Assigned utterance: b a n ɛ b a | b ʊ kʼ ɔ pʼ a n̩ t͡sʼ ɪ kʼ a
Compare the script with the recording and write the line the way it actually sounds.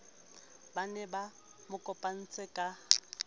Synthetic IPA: b a n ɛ b a | m ʊ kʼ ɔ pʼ a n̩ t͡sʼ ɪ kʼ a